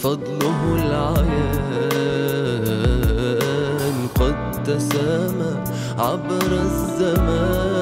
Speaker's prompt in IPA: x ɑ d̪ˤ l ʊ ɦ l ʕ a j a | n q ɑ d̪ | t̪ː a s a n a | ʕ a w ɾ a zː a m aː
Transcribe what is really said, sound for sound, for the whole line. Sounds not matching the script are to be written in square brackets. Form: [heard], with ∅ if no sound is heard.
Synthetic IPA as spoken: [f] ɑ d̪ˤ l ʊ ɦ l ʕ a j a | n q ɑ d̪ | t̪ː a s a [m] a | ʕ a [b] ɾ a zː a m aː